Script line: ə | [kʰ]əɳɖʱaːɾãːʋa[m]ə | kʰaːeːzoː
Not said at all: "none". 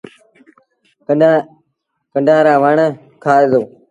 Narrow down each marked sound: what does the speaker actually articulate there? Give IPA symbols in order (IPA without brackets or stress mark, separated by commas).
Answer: k, ɳ